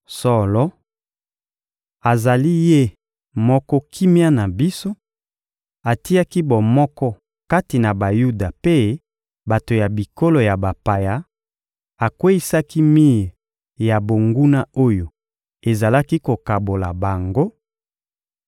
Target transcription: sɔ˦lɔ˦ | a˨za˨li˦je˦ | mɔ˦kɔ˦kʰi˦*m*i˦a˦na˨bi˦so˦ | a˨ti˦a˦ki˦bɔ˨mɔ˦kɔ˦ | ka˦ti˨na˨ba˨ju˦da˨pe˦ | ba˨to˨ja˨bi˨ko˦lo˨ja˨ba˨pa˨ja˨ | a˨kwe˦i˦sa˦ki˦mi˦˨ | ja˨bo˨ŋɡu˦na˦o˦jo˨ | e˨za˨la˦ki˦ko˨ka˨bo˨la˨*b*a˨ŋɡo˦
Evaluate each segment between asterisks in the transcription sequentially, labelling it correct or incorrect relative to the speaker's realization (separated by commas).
correct, correct